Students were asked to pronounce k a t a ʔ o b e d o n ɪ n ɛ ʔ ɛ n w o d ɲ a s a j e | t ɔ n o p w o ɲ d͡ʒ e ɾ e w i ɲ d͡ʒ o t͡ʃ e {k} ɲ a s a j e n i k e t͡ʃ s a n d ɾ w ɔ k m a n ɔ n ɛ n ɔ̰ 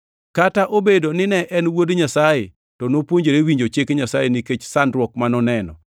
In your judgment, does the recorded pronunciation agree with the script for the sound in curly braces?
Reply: yes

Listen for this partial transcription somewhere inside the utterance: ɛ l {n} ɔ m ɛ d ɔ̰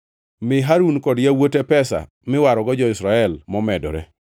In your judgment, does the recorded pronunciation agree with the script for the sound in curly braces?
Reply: no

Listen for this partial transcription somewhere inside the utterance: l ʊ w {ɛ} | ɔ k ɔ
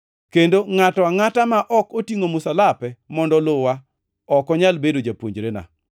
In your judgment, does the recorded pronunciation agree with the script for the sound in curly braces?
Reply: no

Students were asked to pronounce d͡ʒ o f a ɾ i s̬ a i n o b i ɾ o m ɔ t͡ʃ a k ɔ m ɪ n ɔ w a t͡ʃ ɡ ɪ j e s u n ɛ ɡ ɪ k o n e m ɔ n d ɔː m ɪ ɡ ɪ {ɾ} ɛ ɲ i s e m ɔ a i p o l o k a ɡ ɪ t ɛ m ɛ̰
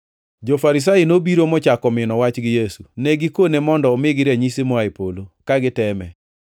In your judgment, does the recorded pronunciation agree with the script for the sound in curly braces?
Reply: yes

